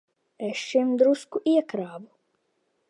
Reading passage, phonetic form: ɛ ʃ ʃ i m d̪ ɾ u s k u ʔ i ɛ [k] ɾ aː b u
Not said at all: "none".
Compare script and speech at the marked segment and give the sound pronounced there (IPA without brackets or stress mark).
k